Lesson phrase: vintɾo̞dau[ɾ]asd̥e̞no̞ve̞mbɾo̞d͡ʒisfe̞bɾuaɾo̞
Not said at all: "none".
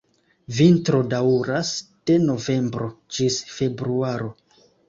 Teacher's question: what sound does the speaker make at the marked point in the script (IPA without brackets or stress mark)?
ɾ